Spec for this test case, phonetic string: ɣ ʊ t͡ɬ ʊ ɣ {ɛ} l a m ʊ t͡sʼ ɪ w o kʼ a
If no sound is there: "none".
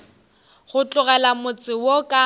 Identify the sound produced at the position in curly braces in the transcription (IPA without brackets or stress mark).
ɛ